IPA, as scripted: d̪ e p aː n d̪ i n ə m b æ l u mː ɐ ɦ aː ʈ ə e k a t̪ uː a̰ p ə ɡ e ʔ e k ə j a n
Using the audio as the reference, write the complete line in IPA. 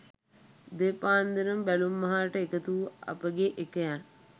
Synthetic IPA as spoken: d̪ e p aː n d̪ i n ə m b æ l u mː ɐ ɦ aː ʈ ə e k ə t̪ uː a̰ p ə ɡ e ʔ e k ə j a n